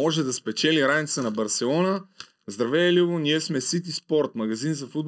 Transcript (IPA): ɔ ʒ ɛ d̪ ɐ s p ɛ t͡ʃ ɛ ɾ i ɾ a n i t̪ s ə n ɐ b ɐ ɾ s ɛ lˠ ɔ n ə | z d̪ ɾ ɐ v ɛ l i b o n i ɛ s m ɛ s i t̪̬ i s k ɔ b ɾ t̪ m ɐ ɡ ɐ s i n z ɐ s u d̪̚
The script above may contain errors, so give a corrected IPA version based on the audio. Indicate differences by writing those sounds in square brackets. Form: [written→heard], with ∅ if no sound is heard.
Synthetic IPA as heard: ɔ ʒ ɛ d̪ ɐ s p ɛ t͡ʃ ɛ [ɾ→l] i ɾ a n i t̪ s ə n ɐ b ɐ ɾ s ɛ lˠ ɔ n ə | z d̪ ɾ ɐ v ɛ l i [b→v] o n i ɛ s m ɛ s i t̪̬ i s [k→p] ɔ [b→∅] ɾ t̪ m ɐ ɡ ɐ [s→z] i n z ɐ [s→f] u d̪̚